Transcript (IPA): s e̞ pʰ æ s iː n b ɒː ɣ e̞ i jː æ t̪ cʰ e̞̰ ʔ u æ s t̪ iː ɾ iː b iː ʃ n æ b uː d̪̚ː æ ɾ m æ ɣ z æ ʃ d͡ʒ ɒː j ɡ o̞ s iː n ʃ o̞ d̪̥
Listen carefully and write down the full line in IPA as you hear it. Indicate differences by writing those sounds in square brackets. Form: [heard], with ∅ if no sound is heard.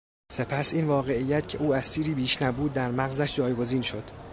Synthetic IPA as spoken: s e̞ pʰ æ s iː n [v] ɒː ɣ e̞ i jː æ t̪ cʰ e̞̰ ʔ [uː] æ s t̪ iː ɾ iː b iː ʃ n æ b uː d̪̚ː æ ɾ m æ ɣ z æ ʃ d͡ʒ ɒː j ɡ o̞ [z] iː n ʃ o̞ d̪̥